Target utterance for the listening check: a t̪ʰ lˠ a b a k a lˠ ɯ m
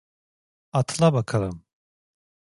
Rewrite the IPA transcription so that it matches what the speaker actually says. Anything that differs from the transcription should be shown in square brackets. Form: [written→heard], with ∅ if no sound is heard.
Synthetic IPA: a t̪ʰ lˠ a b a [k→kʰ] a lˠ ɯ m